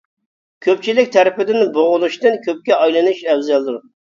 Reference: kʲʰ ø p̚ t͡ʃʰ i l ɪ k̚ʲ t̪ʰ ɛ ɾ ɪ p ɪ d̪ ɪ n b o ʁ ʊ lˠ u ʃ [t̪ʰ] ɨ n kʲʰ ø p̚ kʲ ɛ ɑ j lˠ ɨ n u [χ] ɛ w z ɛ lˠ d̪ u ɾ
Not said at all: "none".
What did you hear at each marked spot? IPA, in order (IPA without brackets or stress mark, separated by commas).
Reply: t̪, ʃ